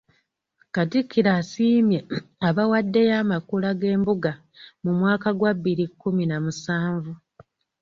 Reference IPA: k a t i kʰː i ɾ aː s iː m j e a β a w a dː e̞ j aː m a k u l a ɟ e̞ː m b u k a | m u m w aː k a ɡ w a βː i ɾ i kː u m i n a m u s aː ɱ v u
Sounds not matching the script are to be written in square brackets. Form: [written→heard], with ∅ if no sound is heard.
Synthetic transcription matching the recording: k a t i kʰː i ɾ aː s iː m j e a β a w a dː e̞ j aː m a k u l a [ɟ→ɡ] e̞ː m b u [k→ɡ] a | m u m w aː k a ɡ w a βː i ɾ i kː u m i n a m u s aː ɱ v u